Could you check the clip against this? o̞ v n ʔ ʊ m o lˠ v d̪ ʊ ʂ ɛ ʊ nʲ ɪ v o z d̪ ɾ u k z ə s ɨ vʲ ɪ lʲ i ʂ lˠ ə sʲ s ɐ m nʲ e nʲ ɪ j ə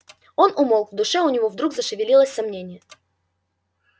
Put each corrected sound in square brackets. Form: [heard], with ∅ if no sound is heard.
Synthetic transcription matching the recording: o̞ [∅] n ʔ ʊ m o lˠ v d̪ ʊ ʂ ɛ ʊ nʲ ɪ v o [v] d̪ ɾ u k z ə [ʂ] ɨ vʲ ɪ lʲ i [∅] lˠ ə sʲ s ɐ m nʲ e nʲ ɪ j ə